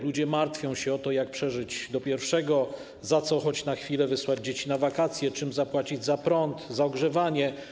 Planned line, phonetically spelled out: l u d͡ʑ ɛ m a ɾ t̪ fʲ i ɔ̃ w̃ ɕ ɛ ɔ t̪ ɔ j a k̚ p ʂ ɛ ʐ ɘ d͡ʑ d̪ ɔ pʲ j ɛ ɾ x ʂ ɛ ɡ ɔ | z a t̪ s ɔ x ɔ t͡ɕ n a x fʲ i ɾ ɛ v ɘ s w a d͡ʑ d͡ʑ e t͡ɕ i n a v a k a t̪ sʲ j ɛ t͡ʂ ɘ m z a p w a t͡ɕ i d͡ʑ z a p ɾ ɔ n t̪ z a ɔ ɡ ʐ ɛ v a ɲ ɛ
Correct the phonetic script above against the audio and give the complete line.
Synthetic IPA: l u d͡ʑ ɛ m a ɾ t̪ fʲ j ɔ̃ w̃ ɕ ɛ ɔ t̪ ɔ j a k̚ p ʂ ɛ ʐ ɘ d͡ʑ d̪ ɔ pʲ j ɛ ɾ f ʂ ɛ ɡ ɔ | z a t̪ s ɔ x ɔ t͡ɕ n a x fʲ i l ɛ v ɘ s w a d͡ʑ d͡ʑ e t͡ɕ i n a v a k a t̪ sʲ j ɛ t͡ʂ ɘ m z a p w a t͡ɕ i d͡ʑ z a p ɾ ɔ n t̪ z a ɔ ɡ ʐ ɛ v a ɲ ɛ